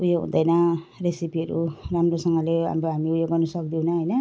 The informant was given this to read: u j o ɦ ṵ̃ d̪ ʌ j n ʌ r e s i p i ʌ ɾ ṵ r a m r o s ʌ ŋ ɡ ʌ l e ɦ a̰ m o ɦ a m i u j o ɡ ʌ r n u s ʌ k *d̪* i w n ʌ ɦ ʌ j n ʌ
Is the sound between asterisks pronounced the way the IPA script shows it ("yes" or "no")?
yes